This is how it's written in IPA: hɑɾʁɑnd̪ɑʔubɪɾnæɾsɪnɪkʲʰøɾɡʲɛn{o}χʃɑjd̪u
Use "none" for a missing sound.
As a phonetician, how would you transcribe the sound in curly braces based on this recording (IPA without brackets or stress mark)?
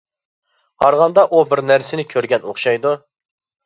o